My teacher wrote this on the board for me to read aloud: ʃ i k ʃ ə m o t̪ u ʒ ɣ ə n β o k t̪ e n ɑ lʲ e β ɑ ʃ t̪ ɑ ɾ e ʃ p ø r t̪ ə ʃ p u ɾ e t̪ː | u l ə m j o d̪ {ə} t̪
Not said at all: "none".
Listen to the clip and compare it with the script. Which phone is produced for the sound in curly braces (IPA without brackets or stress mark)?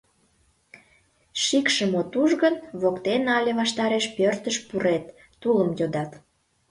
ɑ